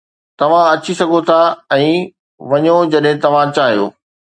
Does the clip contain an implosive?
yes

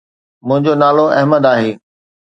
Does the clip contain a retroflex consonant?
no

